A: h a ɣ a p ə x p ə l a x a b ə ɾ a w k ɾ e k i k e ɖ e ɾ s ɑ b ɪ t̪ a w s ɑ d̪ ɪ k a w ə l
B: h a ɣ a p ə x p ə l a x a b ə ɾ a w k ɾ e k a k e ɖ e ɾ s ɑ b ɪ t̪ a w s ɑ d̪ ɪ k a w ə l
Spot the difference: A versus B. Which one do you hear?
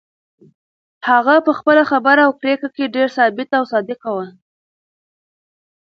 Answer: B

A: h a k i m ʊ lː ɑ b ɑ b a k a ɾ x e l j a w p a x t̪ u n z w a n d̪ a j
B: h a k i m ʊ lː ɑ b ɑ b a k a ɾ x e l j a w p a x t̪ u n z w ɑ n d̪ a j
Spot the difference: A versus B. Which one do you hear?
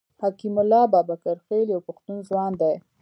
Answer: B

